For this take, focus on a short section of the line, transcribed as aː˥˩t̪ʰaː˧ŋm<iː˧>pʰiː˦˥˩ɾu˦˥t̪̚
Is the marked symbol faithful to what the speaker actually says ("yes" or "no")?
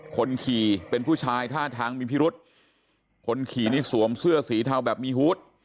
yes